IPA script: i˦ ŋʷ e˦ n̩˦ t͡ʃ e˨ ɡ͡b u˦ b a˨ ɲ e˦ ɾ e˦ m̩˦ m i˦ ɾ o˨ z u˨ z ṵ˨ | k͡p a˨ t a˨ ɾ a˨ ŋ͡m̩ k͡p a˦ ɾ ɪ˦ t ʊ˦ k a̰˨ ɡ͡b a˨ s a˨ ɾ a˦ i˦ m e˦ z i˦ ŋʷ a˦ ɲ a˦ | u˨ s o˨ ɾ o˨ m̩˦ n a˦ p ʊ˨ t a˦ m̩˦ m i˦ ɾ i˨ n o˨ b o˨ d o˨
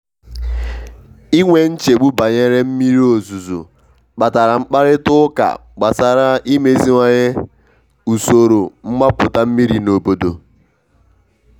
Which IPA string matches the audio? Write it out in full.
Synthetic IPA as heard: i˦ ŋʷ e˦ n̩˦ t͡ʃ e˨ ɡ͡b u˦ b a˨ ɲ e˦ ɾ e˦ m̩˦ m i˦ ɾ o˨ z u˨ z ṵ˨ | k͡p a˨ t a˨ ɾ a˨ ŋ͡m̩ k͡p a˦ ɾ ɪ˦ t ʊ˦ k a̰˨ ɡ͡b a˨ s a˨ ɾ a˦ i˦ m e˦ z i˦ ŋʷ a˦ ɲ e˦ | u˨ s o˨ ɾ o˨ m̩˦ m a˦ p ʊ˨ t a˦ m̩˦ m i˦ ɾ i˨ n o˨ b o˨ d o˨